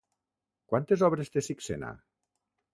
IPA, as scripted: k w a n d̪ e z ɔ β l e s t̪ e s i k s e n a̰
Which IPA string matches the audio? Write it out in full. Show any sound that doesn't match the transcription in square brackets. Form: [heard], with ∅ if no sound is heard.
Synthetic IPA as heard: k w a n [t̪] e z ɔ β [ɾ] e s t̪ e s i k s e n a̰